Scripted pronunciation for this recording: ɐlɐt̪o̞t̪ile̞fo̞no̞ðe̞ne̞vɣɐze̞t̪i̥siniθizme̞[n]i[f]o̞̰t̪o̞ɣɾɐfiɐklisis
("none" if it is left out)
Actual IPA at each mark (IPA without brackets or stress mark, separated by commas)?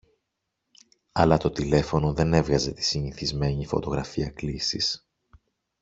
ɲ, f